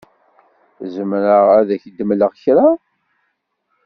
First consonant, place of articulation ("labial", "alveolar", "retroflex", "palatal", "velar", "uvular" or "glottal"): alveolar